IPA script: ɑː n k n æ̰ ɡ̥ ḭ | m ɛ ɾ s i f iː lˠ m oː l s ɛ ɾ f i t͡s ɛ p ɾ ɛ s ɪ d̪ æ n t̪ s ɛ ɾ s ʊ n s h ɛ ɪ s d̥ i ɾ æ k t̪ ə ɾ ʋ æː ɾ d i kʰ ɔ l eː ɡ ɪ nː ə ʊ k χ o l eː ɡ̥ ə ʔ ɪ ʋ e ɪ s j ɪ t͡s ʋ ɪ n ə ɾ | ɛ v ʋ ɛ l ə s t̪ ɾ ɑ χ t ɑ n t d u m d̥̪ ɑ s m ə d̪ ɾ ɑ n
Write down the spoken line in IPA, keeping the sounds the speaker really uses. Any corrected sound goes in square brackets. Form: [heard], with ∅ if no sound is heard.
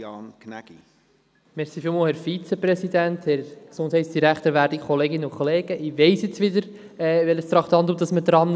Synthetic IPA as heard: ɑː n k n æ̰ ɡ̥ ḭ | m ɛ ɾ s i f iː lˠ m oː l [h] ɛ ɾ f i t͡s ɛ p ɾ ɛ s [i] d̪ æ n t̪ [h] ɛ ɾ s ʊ n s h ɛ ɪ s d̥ i ɾ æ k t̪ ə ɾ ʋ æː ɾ d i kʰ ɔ l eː ɡ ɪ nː ə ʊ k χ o l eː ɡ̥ ə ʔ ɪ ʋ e ɪ s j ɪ t͡s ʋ ɪ [d] ə ɾ | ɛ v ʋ ɛ l ə s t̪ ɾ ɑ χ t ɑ n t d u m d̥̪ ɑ s m ə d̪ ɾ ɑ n